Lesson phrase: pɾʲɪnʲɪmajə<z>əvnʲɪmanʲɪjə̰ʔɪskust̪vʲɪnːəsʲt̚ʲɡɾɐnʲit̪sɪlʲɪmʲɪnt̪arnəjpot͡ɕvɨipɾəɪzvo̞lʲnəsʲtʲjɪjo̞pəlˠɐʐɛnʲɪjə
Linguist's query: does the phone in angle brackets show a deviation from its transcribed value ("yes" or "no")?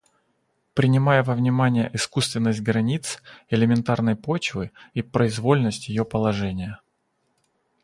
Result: yes